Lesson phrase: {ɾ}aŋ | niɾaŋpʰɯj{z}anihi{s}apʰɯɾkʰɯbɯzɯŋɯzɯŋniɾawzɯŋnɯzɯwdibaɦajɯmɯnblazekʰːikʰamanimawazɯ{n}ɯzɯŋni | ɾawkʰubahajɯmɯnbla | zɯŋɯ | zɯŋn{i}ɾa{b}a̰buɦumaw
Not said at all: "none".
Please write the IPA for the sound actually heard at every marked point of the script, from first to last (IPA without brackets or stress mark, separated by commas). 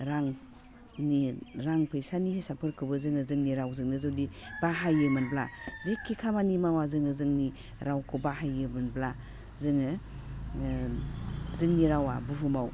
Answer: ɾ, s, s, ŋ, i, w